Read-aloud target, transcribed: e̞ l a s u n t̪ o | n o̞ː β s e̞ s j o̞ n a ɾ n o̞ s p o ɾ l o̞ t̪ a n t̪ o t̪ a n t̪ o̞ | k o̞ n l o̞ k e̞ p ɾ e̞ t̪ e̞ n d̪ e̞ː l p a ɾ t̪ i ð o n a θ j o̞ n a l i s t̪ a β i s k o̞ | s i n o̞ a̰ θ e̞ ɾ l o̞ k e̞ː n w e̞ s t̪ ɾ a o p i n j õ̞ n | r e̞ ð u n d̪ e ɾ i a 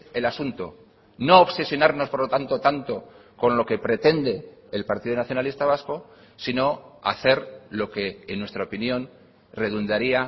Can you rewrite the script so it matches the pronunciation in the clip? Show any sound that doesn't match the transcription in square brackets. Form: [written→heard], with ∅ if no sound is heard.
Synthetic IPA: e̞ l a s u n t̪ o | n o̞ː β s e̞ s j o̞ n a ɾ n o̞ s p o ɾ l o̞ t̪ a n t̪ o t̪ a n t̪ o̞ | k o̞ n l o̞ k e̞ p ɾ e̞ t̪ e̞ n d̪ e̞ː l p a ɾ t̪ i ð o n a θ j o̞ n a l i s t̪ a β [i→a] s k o̞ | s i n o̞ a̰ θ e̞ ɾ l o̞ k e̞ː n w e̞ s t̪ ɾ a o p i n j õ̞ n | r e̞ ð u n d̪ [e→a] ɾ i a